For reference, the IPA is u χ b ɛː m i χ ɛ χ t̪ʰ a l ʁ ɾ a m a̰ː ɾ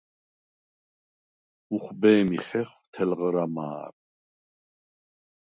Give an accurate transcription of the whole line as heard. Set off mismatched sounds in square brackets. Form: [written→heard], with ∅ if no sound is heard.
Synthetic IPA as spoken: u χ b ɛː m i χ ɛ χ t̪ʰ [a→ɛ] l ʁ ɾ a m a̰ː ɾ

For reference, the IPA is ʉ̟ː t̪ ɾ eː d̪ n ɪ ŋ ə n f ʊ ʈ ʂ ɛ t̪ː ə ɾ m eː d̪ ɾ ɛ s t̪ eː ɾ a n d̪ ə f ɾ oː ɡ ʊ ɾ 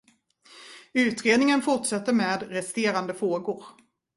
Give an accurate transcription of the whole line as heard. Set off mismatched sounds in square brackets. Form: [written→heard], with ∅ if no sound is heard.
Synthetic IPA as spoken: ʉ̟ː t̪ ɾ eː d̪ n ɪ ŋ ə n f ʊ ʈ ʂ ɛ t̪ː ə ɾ m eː d̪ ɾ ɛ s t̪ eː ɾ a n d̪ ə f ɾ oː ɡ ʊ ɾ

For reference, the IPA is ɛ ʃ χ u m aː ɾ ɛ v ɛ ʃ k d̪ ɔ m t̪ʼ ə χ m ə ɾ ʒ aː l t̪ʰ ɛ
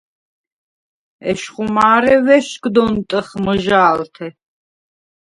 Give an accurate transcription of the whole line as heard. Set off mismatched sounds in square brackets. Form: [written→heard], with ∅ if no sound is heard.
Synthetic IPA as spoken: ɛ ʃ χ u m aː ɾ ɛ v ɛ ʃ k d̪ ɔ [m→n] t̪ʼ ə χ m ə [ɾ→∅] ʒ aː l t̪ʰ ɛ

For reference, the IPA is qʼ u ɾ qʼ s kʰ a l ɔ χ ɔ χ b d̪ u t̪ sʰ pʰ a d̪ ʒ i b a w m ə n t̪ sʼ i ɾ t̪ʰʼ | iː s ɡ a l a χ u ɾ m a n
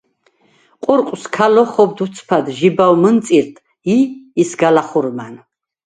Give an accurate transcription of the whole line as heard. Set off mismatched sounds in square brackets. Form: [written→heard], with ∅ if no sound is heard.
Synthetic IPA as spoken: qʼ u ɾ qʼ s kʰ a l ɔ χ ɔ [χ→∅] b d̪ u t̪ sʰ pʰ a d̪ ʒ i b a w m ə n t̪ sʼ i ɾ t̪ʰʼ | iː s ɡ a l a χ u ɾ m a n

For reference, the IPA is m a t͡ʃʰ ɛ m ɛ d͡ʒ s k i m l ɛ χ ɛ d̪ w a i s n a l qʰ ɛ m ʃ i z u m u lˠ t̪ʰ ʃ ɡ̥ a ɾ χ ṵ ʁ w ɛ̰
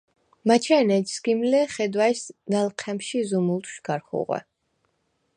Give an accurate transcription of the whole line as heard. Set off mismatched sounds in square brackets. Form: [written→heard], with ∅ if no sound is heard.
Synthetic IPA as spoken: m a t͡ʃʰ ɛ [m→n] ɛ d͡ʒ s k i m l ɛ χ ɛ d̪ w a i s n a l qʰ ɛ m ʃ i z u m u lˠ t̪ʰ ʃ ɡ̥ a ɾ χ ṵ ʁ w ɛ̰

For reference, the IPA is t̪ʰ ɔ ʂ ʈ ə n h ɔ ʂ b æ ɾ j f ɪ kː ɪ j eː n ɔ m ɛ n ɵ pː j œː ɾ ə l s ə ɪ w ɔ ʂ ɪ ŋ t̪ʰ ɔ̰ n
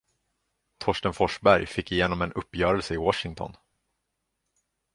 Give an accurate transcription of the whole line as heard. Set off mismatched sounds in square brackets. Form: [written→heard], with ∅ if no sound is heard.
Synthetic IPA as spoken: t̪ʰ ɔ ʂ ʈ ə n [h→f] ɔ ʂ b æ ɾ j f ɪ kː ɪ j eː n ɔ m ɛ n ɵ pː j œː ɾ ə l s ə ɪ w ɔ ʂ ɪ ŋ t̪ʰ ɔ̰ n

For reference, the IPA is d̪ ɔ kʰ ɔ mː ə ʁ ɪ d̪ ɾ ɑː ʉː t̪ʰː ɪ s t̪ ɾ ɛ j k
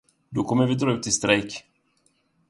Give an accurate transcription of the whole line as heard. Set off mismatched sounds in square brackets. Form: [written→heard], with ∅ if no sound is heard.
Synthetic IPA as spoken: d̪ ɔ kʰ ɔ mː ə [ʁ→v] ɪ d̪ ɾ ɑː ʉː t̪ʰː ɪ s t̪ ɾ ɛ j k

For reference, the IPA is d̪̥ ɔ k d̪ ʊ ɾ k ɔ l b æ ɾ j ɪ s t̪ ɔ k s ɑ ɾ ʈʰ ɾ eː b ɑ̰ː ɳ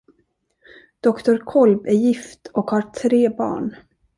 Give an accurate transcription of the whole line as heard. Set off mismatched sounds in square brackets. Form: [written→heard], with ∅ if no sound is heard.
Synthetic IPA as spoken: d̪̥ ɔ k [d̪→t̪] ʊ ɾ [k→kʰ] ɔ l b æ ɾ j ɪ [s→f] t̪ ɔ k [s→h] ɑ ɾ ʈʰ ɾ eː b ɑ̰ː ɳ

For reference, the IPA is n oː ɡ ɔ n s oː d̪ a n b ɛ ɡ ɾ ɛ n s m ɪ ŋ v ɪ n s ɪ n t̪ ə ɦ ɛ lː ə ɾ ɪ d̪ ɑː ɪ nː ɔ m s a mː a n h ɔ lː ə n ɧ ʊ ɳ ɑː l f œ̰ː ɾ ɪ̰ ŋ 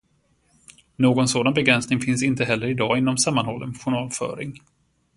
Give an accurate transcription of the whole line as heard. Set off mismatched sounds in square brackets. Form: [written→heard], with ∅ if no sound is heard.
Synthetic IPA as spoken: n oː ɡ ɔ n s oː d̪ a n b ɛ ɡ ɾ ɛ n s [m→n] ɪ ŋ [v→f] ɪ n s ɪ n t̪ ə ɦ ɛ lː ə ɾ ɪ d̪ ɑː ɪ nː ɔ m s a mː a n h ɔ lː ə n ɧ ʊ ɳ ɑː l f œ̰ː ɾ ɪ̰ ŋ

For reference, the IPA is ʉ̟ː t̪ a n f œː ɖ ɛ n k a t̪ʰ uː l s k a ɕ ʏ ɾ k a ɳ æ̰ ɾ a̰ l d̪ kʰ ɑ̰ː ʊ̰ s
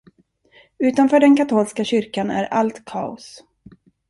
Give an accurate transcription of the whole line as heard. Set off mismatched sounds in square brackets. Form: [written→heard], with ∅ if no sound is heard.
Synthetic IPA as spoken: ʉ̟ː t̪ a n f œː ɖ ɛ n k a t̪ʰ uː l s k a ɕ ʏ ɾ k a [ɳ→n] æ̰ ɾ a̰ l [d̪→t̪] kʰ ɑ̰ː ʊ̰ s

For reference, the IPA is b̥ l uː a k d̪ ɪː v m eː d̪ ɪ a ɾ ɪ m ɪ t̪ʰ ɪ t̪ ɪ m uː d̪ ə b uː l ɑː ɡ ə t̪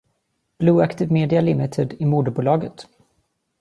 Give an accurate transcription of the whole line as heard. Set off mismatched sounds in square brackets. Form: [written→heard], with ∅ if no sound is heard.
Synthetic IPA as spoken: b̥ l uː a k [d̪→t̪] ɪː v m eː d̪ ɪ a [ɾ→l] ɪ m ɪ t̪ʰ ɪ [t̪→d̪] ɪ m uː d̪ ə b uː l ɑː ɡ ə t̪

